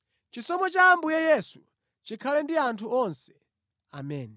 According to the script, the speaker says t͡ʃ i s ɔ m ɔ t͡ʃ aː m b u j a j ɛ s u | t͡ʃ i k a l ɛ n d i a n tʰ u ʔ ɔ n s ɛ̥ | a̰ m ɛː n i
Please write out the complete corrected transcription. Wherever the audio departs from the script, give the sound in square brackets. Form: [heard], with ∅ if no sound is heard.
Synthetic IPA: t͡ʃ i s ɔ m ɔ t͡ʃ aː m b u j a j ɛ s u | t͡ʃ i [kʰ] a l ɛ n d i a n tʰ u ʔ ɔ n s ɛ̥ | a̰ m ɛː n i